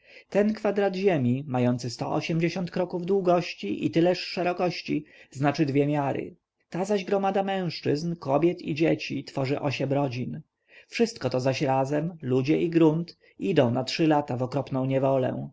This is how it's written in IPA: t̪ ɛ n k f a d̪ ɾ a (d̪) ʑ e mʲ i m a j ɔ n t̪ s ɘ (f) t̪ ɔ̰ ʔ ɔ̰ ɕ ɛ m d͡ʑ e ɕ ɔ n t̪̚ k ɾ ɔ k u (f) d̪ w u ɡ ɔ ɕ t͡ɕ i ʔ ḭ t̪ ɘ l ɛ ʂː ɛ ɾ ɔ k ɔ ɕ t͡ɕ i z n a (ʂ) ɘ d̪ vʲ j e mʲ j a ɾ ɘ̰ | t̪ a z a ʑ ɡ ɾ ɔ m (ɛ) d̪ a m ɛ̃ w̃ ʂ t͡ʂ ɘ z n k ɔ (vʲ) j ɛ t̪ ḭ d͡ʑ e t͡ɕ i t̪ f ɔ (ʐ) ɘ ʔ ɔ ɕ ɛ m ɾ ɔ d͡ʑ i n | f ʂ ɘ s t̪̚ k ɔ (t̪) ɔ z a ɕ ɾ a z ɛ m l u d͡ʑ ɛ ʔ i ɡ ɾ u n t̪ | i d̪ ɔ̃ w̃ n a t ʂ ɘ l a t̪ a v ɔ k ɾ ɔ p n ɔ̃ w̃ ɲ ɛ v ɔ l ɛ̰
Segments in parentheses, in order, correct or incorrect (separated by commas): correct, incorrect, incorrect, incorrect, incorrect, incorrect, correct, correct